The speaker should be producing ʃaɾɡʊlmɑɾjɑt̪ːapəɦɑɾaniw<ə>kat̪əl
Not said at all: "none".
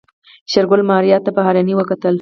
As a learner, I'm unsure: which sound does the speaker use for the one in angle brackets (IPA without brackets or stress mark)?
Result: ə